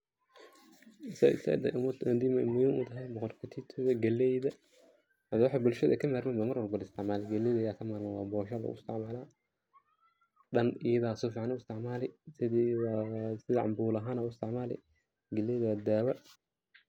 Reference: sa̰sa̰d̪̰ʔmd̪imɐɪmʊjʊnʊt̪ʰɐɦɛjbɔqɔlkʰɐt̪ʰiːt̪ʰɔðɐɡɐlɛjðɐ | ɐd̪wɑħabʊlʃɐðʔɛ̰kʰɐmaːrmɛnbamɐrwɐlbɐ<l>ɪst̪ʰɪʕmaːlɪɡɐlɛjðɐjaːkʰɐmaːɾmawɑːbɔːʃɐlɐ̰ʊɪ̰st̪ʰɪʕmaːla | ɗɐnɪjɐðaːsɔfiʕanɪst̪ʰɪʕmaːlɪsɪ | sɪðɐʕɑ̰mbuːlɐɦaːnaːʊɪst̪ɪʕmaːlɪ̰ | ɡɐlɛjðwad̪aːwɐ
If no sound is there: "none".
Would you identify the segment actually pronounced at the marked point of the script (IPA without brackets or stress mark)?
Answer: l